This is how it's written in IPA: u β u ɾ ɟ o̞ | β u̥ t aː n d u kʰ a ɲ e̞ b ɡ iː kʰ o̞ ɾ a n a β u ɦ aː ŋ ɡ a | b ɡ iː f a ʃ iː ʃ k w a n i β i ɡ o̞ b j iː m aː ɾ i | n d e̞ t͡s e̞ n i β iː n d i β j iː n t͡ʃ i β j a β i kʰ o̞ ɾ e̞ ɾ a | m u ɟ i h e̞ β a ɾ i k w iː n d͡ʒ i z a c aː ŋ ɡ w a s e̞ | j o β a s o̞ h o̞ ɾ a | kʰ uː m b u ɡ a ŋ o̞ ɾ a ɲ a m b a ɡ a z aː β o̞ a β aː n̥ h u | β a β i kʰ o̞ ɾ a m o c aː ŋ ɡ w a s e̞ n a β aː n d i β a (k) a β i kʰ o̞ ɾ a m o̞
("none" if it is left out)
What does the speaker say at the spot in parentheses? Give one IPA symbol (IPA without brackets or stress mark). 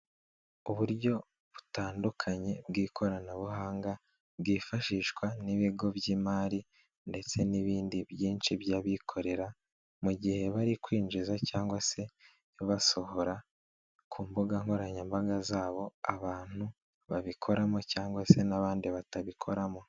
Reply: t